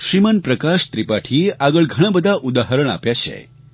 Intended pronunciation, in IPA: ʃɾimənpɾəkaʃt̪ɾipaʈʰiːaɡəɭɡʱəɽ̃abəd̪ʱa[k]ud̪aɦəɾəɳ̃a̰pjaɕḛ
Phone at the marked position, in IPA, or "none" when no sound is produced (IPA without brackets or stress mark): ʔ